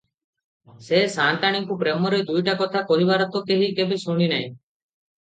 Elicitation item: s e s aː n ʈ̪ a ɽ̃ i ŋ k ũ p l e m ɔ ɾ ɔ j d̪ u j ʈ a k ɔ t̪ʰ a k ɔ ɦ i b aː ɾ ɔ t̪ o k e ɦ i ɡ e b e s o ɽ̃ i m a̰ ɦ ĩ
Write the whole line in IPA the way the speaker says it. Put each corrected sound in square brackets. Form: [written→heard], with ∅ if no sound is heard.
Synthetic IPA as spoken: s e s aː n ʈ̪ a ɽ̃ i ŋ k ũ p [l→ɾ] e m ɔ ɾ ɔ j d̪ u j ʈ a k ɔ t̪ʰ a k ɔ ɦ i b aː ɾ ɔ t̪ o k e ɦ i [ɡ→k] e b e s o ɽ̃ i [m→n] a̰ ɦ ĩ